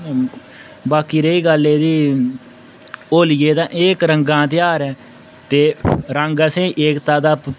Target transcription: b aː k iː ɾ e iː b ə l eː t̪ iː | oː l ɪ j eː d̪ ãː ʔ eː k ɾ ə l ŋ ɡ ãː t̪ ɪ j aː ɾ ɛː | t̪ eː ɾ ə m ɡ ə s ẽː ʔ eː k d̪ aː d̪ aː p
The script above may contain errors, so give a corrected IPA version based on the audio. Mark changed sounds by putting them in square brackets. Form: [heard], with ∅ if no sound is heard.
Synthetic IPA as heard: b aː k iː ɾ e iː [ɡ] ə l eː [d̪] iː | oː l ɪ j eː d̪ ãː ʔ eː k ɾ ə [∅] ŋ ɡ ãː t̪ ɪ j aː ɾ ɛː | t̪ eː ɾ ə [ŋ] ɡ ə s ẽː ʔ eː k [t̪] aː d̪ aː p

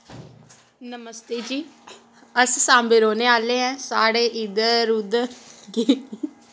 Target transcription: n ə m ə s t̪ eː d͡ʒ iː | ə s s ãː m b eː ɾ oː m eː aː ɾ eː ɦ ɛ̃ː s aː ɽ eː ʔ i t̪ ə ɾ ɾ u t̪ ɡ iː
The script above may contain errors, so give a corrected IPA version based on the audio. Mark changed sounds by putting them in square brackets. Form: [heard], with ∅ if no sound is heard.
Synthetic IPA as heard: n ə m ə s t̪ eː d͡ʒ iː | ə s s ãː m b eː ɾ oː [n] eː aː [l] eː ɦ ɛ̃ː s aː ɽ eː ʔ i [d̪] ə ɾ ɾ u [d̪] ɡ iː

